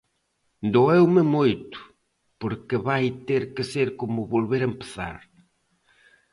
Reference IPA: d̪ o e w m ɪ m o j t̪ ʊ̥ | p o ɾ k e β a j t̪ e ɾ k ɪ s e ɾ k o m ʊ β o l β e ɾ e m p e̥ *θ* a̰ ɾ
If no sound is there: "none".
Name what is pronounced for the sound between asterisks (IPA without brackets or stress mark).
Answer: θ